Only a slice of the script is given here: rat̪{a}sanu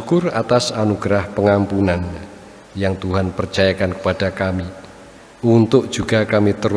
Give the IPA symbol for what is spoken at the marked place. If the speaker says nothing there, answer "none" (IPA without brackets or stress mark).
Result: a